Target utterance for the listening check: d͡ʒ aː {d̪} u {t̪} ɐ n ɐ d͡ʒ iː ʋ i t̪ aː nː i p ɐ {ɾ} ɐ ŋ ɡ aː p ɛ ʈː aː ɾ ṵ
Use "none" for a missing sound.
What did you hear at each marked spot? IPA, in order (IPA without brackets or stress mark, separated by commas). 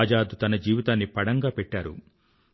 d̪, t̪, ɽ